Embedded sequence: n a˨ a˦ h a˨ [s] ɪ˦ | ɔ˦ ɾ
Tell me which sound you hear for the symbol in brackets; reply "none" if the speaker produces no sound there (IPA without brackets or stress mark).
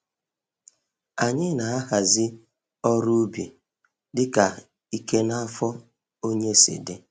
z